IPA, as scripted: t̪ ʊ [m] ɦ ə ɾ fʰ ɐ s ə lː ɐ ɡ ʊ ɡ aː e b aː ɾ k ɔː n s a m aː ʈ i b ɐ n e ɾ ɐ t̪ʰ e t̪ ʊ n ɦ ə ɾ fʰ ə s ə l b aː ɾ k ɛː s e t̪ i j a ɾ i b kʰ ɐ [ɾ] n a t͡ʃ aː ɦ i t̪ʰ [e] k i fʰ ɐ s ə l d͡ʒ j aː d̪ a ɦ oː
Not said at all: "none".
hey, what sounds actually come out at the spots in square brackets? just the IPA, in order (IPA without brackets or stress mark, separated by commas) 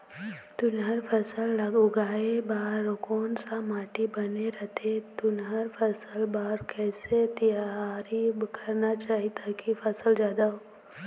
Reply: n, ɾ, a